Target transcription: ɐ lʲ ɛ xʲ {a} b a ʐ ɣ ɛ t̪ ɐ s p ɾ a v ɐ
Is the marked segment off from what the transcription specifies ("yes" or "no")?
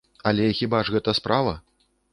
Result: yes